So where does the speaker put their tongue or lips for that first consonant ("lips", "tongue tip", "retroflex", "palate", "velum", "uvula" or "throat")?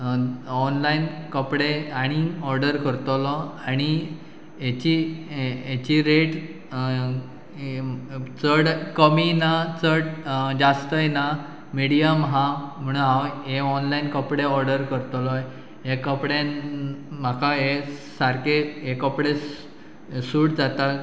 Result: tongue tip